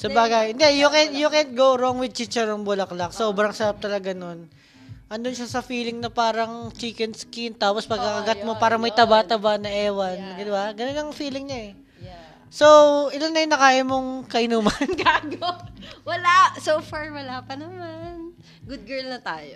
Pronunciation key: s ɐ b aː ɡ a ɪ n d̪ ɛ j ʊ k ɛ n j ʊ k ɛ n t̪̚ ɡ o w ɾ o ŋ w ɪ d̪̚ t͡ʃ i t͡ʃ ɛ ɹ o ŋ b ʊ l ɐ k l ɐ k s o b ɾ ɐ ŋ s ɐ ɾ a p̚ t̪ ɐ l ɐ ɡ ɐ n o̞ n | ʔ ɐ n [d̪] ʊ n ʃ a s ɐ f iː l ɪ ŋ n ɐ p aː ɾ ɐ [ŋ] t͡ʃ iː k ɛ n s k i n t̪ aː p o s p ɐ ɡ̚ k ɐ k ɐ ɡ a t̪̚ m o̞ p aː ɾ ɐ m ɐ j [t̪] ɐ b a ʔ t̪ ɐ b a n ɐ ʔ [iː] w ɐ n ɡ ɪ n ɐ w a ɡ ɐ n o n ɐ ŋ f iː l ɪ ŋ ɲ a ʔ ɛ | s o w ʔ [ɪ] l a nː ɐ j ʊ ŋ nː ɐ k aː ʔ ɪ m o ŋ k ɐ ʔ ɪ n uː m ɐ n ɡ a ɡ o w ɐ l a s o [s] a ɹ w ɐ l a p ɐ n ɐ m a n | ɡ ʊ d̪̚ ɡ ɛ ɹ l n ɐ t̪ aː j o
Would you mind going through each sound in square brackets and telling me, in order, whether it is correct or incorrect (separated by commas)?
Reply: correct, correct, correct, incorrect, correct, incorrect